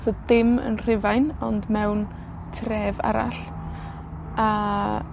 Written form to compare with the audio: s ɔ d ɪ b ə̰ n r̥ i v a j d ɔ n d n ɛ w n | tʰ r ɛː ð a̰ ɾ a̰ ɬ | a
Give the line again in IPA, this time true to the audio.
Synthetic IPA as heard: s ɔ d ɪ m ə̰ n r̥ ɪ v a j n ɔ n d m ɛ w n | tʰ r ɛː v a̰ ɾ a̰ ɬ | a